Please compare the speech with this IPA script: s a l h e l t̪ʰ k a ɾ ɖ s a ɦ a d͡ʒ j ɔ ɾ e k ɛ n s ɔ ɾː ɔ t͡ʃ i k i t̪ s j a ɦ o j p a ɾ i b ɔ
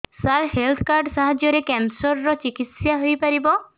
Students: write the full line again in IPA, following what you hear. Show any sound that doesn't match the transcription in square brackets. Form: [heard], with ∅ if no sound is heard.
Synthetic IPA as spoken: s a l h e l t̪ʰ k a ɾ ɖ s a ɦ a d͡ʒ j ɔ ɾ e k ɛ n s ɔ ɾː ɔ t͡ʃ i k i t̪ s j a ɦ o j p a ɾ i b ɔ